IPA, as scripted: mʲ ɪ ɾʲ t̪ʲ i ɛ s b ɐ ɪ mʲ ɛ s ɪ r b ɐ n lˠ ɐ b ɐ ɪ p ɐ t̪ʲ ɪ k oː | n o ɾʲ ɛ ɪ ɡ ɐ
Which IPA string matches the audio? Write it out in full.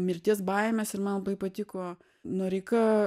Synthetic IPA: mʲ ɪ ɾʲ t̪ʲ i ɛ s b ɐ ɪ mʲ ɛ s ɪ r m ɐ n lˠ ɐ b ɐ ɪ p ɐ t̪ʲ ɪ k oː | n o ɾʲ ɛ ɪ k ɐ